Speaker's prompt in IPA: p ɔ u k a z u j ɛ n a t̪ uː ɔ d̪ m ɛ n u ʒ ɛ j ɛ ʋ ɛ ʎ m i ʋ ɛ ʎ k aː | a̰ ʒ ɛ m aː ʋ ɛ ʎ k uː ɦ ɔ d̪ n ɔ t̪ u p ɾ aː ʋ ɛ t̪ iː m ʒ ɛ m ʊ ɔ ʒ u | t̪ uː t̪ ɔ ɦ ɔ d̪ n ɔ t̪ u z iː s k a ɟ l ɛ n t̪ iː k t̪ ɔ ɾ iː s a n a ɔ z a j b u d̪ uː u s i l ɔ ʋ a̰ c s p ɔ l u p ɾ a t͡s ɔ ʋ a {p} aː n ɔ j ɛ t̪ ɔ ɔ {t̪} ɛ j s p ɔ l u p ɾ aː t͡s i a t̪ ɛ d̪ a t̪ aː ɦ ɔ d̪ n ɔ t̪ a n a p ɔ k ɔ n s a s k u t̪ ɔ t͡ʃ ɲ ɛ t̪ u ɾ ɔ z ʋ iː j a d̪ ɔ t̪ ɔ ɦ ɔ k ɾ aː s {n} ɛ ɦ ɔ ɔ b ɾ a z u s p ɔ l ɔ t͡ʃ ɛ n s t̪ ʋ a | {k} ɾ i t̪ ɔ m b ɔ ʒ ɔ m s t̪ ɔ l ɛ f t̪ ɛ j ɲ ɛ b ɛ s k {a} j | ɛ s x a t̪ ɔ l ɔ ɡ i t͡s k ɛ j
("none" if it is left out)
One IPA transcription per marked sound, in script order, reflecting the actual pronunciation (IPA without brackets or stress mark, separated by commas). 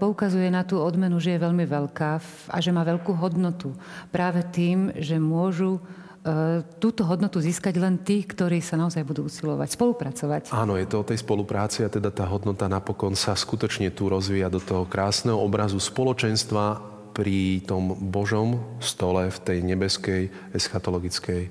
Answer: c, t̪, n, p, ɛ